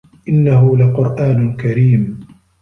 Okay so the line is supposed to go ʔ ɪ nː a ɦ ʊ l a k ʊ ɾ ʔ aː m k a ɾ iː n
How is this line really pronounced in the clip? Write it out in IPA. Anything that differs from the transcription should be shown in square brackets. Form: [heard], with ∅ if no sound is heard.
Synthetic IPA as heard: ʔ ɪ nː a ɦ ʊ l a [q] ʊ ɾ ʔ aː [n] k a ɾ iː [m]